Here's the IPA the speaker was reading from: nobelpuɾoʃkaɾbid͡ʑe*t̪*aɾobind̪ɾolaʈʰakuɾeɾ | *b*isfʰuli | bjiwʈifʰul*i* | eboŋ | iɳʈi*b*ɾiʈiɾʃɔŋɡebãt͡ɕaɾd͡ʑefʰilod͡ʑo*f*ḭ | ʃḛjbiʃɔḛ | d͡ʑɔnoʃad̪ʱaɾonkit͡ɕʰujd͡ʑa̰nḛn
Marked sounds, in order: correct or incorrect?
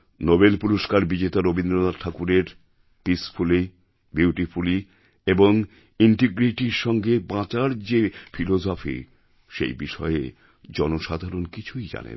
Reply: correct, incorrect, correct, incorrect, correct

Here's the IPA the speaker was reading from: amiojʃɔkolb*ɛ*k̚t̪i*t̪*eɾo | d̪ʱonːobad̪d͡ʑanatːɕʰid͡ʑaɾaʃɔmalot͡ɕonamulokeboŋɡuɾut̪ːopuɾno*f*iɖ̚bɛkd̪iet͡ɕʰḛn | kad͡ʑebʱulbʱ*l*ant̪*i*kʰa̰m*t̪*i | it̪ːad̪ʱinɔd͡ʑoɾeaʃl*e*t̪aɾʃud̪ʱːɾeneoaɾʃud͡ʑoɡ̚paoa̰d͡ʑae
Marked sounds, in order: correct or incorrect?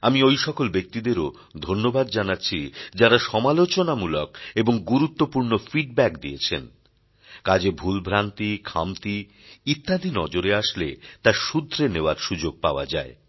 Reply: incorrect, incorrect, correct, incorrect, correct, correct, correct

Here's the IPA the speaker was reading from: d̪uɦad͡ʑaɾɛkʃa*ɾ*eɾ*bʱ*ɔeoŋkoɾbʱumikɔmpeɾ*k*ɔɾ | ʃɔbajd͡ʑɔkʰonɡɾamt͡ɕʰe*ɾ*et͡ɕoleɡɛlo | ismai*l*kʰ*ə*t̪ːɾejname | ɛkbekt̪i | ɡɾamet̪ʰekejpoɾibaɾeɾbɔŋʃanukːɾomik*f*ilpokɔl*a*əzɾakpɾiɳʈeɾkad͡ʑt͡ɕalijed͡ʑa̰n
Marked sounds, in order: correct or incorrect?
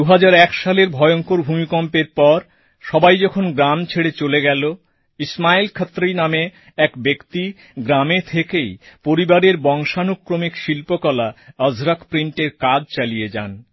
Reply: incorrect, correct, incorrect, incorrect, correct, incorrect, incorrect, correct

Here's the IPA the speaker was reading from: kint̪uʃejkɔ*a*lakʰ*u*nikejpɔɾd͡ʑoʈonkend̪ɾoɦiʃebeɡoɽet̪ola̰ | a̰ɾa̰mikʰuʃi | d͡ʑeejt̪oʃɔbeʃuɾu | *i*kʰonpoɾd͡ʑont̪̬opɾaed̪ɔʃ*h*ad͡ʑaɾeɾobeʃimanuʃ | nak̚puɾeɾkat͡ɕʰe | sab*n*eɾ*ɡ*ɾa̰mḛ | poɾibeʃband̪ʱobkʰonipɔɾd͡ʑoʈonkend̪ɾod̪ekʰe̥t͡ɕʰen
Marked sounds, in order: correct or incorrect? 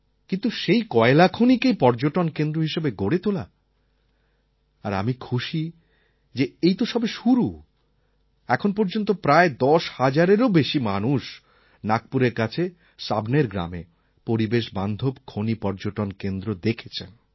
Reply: incorrect, incorrect, incorrect, correct, correct, correct

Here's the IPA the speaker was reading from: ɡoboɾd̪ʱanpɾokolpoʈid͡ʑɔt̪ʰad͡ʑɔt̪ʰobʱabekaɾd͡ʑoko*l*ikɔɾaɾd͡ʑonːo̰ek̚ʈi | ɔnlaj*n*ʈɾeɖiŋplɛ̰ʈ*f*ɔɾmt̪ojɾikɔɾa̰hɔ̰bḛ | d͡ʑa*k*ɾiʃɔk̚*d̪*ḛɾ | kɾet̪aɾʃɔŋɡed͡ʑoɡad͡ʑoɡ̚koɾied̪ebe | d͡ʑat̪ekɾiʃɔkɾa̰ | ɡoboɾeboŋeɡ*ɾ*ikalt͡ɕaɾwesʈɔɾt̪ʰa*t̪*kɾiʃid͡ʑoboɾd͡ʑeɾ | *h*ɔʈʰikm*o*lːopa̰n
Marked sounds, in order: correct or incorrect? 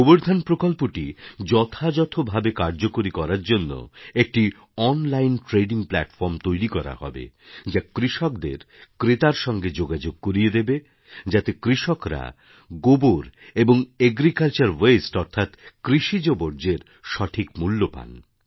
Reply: incorrect, correct, correct, correct, correct, correct, correct, incorrect, incorrect

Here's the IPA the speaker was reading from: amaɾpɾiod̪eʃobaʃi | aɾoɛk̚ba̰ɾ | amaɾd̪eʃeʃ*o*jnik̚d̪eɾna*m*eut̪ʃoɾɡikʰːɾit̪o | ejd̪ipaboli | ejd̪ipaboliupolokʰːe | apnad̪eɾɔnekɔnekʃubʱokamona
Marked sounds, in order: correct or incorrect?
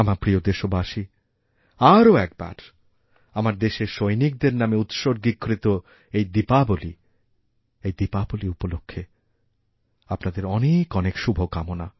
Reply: correct, correct

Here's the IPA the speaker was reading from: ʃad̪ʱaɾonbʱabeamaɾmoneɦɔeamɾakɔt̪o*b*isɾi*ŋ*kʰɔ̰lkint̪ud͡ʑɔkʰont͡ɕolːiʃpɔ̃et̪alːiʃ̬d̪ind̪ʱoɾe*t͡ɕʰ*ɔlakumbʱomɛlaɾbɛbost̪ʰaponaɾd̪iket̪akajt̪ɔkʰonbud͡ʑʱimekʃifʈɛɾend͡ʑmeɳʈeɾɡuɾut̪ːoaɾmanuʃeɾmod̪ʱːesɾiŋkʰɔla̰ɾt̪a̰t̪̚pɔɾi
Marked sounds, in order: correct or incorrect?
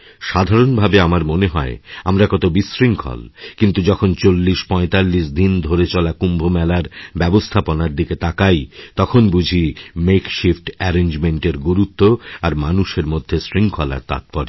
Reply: correct, correct, incorrect

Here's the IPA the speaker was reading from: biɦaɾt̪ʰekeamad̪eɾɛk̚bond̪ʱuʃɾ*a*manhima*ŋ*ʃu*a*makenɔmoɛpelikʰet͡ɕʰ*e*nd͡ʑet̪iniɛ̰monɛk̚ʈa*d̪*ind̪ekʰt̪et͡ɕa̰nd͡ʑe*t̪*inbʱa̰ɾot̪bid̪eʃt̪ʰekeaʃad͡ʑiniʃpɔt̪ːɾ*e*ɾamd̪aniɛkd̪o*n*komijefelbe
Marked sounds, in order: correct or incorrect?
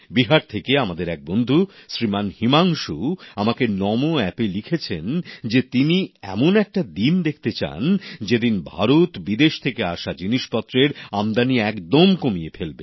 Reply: incorrect, correct, correct, correct, correct, incorrect, correct, incorrect

